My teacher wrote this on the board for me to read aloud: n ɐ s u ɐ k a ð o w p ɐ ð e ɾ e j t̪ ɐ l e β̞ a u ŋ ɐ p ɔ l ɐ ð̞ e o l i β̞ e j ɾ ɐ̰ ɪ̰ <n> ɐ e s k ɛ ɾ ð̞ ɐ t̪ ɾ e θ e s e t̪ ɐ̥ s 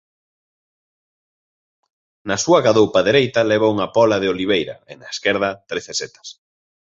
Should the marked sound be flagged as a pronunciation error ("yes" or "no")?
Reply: no